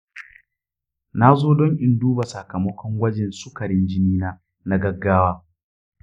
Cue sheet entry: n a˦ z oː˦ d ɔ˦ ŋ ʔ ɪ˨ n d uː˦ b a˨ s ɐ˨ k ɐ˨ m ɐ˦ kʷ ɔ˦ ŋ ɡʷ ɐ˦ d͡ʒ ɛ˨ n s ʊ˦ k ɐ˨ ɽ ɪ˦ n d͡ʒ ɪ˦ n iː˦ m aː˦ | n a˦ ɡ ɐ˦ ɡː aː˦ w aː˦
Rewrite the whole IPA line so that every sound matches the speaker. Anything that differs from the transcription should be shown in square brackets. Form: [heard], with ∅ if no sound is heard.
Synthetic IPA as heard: n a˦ z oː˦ d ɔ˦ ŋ ʔ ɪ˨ n d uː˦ b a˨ s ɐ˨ k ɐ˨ m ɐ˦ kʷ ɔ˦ ŋ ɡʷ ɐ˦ d͡ʒ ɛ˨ n s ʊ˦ k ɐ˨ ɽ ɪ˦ n d͡ʒ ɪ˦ n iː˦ [n] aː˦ | n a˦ ɡ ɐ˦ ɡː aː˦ w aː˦